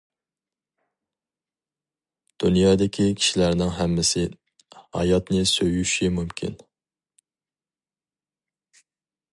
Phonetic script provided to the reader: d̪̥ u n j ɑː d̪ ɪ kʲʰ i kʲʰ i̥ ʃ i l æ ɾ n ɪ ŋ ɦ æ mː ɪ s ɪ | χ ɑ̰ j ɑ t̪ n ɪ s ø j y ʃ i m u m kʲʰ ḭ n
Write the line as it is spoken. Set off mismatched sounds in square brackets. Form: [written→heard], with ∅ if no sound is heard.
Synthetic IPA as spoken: d̪̥ u n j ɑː d̪ ɪ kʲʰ i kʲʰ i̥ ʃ i l æ ɾ n ɪ ŋ ɦ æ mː ɪ s ɪ | [χ→h] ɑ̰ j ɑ t̪ n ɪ s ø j y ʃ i m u m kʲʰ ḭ n